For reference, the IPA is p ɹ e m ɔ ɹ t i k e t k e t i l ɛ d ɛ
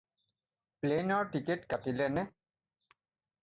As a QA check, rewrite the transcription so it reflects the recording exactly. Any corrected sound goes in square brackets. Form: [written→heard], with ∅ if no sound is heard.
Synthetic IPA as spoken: p [ɹ→l] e [m→n] ɔ ɹ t i k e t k [e→a] t i l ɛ [d→n] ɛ